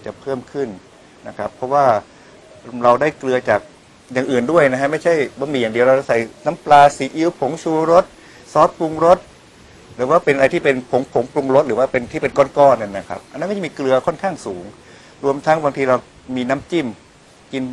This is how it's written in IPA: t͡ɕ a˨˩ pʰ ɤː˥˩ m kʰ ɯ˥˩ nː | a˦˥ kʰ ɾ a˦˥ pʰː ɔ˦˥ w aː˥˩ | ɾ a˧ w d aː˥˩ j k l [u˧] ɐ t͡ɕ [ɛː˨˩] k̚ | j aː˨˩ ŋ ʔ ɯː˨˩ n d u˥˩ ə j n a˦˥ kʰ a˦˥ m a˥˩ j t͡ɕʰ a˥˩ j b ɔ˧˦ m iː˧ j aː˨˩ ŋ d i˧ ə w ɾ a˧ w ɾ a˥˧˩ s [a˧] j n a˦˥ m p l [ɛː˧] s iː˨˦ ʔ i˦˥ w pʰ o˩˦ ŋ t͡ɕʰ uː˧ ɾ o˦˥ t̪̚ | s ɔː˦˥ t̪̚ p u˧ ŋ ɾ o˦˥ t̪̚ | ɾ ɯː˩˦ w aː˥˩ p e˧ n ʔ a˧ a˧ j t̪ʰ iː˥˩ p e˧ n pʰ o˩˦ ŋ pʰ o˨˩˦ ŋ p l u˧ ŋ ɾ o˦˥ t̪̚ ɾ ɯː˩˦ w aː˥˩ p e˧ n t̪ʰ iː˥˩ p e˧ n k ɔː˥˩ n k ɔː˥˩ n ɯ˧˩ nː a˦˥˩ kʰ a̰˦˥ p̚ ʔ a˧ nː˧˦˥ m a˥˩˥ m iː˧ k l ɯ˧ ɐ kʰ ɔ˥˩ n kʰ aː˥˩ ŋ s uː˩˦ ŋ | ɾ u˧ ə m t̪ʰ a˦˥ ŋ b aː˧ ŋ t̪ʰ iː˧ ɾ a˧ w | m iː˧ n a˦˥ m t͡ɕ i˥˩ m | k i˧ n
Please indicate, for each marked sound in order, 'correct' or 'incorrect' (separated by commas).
incorrect, incorrect, incorrect, incorrect